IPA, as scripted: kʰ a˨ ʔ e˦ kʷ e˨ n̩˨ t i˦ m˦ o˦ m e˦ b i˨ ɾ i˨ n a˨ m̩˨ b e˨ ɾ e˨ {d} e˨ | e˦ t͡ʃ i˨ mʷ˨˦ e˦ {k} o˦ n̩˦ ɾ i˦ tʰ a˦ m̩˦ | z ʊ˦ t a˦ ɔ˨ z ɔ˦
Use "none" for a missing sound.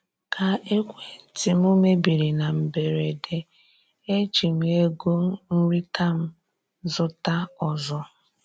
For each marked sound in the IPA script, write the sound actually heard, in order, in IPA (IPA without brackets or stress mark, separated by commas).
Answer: d, ɡ